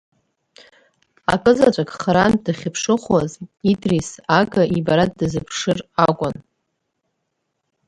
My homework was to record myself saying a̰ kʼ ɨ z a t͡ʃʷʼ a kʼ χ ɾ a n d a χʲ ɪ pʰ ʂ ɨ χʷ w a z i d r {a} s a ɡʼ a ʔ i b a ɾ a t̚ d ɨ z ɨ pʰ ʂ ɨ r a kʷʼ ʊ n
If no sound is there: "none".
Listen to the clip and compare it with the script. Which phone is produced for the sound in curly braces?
i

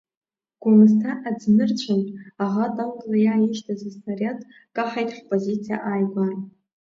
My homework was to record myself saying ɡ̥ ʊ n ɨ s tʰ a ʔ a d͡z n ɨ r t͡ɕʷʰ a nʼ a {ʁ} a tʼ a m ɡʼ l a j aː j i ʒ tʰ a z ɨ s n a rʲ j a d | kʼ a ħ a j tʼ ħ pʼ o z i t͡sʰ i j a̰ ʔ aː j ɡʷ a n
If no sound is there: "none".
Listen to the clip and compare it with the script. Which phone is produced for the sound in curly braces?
ʁ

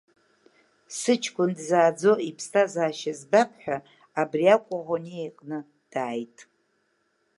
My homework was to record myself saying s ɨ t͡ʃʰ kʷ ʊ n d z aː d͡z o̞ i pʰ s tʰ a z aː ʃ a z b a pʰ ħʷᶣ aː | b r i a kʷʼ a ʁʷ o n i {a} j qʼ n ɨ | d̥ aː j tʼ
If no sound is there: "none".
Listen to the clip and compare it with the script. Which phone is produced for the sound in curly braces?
e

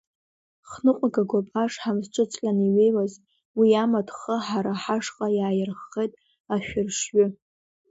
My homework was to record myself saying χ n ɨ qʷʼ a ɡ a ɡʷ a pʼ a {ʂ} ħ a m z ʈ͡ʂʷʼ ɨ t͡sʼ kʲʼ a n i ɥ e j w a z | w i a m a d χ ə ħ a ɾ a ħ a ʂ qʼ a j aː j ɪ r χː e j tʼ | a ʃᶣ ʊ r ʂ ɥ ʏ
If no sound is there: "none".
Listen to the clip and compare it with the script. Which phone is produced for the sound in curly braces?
ʂ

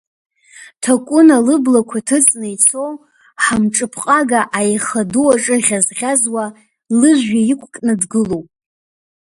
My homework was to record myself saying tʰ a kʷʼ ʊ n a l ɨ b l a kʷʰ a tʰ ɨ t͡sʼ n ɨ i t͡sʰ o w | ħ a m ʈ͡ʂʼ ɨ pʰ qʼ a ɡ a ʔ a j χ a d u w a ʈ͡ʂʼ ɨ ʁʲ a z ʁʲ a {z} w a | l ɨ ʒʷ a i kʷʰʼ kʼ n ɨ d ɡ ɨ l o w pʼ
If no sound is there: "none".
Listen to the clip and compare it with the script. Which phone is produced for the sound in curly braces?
z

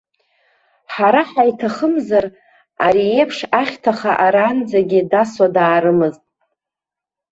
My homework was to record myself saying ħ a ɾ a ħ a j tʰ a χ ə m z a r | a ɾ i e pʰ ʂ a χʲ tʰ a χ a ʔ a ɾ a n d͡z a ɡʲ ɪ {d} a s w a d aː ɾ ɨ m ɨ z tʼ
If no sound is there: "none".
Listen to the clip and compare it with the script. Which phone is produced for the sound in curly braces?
d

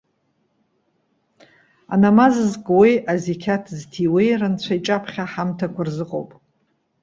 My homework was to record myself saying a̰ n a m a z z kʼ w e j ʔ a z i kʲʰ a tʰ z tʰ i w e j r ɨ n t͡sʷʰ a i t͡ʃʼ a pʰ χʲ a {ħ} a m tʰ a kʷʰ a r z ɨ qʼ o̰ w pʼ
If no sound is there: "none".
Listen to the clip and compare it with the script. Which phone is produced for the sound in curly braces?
ħ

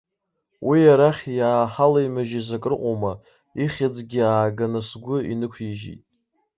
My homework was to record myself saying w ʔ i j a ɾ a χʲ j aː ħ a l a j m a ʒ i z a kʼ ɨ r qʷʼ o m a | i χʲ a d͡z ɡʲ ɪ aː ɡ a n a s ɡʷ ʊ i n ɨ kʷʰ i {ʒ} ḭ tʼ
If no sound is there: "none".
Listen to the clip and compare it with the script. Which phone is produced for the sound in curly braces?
ʒ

